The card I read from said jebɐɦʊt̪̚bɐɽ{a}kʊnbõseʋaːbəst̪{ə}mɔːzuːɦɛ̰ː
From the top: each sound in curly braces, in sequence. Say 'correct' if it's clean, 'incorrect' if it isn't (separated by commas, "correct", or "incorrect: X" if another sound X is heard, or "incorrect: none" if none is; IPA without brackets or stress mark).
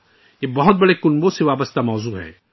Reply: incorrect: e, incorrect: a